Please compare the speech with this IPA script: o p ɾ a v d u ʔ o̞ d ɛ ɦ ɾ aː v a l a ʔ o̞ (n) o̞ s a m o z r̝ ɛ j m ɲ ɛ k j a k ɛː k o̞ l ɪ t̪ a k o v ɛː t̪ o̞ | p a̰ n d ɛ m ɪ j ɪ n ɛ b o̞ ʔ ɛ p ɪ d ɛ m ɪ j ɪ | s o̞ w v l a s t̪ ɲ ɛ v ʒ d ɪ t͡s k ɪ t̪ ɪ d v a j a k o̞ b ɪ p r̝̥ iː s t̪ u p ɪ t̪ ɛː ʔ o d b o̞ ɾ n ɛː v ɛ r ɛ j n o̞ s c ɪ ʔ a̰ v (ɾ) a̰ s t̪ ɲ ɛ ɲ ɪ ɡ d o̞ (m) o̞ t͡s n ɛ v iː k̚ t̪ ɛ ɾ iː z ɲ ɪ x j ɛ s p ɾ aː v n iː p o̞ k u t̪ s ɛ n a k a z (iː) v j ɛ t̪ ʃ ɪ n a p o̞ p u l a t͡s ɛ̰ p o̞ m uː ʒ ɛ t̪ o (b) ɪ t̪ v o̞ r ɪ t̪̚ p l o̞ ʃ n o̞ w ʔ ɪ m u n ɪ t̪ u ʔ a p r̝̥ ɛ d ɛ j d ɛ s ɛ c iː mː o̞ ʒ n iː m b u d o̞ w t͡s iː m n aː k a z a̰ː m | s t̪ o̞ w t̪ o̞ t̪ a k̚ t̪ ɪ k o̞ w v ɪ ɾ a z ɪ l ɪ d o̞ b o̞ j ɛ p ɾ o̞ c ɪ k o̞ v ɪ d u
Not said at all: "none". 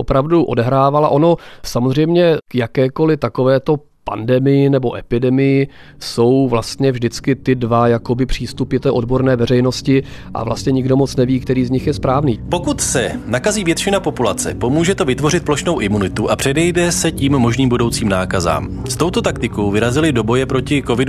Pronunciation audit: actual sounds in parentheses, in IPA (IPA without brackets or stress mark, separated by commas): n, l, m, iː, v